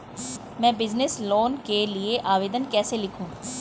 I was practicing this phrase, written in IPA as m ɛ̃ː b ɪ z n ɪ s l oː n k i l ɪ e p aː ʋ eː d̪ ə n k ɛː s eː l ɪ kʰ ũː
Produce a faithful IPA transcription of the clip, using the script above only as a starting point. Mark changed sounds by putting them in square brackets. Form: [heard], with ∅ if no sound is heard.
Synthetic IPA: m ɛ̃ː b ɪ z n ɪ s l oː n k [e] l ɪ e [ʔ] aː ʋ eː d̪ ə n k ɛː s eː l ɪ kʰ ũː